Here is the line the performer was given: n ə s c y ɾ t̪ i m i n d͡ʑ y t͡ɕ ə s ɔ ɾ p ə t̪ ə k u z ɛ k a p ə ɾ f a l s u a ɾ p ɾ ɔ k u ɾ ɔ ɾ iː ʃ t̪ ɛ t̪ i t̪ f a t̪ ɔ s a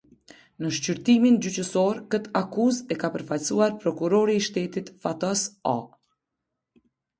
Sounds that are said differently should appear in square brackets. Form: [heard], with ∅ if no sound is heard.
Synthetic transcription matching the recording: n ə [ʃ] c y ɾ t̪ i m i n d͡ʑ y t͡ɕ ə s ɔ ɾ [k] ə t̪ [a] k u z ɛ k a p ə ɾ f a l s u a ɾ p ɾ ɔ k u ɾ ɔ ɾ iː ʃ t̪ ɛ t̪ i t̪ f a t̪ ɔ s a